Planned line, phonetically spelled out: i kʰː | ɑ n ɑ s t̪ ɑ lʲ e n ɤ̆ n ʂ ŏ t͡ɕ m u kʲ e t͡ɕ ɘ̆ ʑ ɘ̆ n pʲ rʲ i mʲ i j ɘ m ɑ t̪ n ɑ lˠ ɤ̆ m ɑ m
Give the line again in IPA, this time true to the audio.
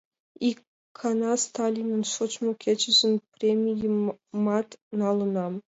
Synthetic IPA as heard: i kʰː | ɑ n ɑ s t̪ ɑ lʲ i n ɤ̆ n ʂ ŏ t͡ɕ m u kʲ e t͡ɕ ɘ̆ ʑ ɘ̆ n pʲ rʲ e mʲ i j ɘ m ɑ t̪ n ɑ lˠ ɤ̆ n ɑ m